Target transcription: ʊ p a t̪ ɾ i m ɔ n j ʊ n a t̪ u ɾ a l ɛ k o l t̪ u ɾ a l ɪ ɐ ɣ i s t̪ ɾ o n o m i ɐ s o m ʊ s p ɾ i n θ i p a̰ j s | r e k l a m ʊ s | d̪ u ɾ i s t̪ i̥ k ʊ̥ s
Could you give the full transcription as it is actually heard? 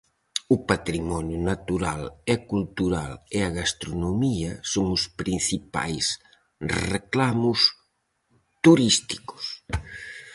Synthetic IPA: ʊ p a t̪ ɾ i m ɔ n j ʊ n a t̪ u ɾ a l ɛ k u l t̪ u ɾ a l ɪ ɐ ɣ a s t̪ ɾ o n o m i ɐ s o ŋ ʊ s p ɾ i n θ i p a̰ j s | r e k l a m ʊ s | t̪ u ɾ i s t̪ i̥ k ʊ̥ s